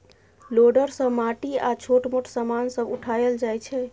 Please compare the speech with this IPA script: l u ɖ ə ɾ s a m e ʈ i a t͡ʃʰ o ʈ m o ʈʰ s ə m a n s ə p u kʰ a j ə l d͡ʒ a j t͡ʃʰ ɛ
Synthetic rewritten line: l o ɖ ə ɾ s ə m a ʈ i a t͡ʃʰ o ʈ m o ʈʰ s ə m a n s ə b u ʈʰ a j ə l d͡ʒ a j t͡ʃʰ ɛ